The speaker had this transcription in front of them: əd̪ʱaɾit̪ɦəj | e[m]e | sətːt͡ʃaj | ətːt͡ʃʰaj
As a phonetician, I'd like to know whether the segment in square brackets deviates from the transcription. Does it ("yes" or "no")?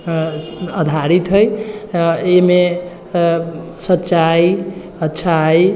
no